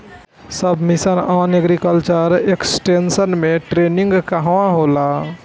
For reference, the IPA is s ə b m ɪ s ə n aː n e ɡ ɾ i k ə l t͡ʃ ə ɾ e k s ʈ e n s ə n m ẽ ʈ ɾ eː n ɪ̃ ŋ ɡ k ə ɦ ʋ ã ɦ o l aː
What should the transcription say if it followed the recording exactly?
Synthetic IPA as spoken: s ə b m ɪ s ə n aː n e ɡ ɾ i k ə l t͡ʃ ə ɾ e k s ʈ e n s ə n m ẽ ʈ ɾ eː n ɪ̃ ŋ ɡ k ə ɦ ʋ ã ɦ o l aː